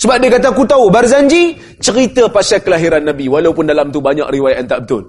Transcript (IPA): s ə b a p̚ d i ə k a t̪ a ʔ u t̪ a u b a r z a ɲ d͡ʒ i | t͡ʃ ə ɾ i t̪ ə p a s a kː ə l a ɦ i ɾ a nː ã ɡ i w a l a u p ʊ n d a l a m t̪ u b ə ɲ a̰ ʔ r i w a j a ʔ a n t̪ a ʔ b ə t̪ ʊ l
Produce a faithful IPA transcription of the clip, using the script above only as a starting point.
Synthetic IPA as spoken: s ə b a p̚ d i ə k a t̪ a k u t̪ a u b a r z a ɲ d͡ʒ i | t͡ʃ ə ɾ i t̪ ə p a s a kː ə l a ɦ i ɾ a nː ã b i w a l a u p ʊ n d a l a m t̪ u b a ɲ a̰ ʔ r i w a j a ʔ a n t̪ a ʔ b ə t̪ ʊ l